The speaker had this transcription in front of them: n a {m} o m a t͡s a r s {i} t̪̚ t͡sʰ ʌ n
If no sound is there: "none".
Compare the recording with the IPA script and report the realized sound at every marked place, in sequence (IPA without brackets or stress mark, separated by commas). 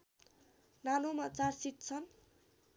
n, i